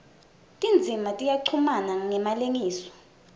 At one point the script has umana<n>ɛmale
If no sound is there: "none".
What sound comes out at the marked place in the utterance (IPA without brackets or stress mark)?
ŋ